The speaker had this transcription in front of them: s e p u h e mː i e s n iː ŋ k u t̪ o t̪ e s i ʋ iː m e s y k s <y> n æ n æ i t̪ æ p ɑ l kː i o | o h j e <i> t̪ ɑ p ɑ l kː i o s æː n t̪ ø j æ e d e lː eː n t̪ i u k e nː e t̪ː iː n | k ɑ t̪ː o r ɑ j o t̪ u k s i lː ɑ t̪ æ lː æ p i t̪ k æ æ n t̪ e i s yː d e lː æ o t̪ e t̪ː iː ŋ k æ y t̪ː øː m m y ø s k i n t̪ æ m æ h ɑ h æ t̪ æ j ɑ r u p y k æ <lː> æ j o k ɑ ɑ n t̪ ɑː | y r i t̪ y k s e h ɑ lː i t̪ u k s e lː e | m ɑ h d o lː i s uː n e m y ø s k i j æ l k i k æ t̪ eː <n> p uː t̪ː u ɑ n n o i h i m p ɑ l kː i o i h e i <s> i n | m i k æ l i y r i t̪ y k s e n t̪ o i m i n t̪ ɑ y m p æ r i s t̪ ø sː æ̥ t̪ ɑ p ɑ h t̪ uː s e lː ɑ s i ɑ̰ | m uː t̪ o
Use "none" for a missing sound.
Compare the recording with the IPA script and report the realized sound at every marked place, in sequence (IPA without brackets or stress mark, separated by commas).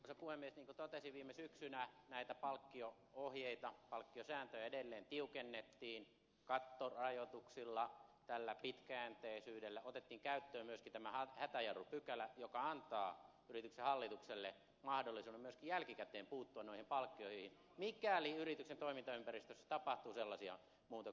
y, i, l, m, h